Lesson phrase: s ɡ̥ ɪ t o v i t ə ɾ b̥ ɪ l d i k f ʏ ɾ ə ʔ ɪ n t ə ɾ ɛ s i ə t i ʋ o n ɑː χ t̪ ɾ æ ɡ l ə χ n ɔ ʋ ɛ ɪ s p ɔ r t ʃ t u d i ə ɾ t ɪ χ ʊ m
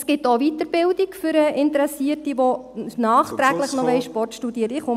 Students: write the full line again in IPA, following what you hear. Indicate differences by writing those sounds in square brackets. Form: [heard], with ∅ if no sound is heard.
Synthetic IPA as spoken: s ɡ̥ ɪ t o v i t ə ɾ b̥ ɪ l d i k f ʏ ɾ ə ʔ ɪ n t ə ɾ ɛ s i ə t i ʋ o n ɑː χ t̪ ɾ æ ɡ l ə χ n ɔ ʋ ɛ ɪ [ʃ] p ɔ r t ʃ t u d i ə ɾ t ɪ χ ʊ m